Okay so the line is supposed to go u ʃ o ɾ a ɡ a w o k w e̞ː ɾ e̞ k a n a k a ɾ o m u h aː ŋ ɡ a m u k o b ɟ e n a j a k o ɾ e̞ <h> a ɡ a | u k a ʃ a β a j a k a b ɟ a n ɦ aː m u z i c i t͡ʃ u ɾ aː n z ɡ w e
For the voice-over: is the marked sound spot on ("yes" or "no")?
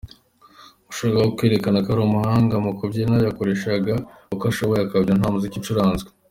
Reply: no